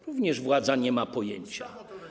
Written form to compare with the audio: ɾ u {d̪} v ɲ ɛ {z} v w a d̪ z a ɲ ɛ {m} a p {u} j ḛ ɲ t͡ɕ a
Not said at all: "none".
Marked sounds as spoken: none, ʐ, m, ɔ

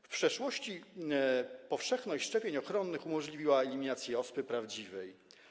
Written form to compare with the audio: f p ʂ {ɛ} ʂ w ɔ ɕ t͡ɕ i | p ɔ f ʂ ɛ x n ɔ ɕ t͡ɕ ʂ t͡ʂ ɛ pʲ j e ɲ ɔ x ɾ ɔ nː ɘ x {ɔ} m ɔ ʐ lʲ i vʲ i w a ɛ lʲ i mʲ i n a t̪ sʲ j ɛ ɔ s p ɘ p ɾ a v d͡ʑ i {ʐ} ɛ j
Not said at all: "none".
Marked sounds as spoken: ɛ, u, v

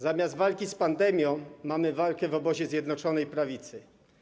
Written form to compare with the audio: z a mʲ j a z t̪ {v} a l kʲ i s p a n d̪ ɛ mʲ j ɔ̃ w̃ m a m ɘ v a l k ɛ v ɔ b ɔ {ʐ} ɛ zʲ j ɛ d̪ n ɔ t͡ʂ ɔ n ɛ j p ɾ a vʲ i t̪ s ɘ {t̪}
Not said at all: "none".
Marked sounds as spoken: v, ʑ, none

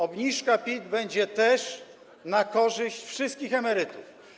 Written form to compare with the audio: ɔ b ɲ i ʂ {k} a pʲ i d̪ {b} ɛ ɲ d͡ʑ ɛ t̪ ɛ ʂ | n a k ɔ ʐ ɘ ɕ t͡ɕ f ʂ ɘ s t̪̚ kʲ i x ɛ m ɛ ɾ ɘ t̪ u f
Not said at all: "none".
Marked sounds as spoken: k, b

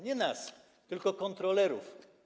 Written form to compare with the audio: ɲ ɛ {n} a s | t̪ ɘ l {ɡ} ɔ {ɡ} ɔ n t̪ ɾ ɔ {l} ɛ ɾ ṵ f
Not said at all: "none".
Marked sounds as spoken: n, k, k, l

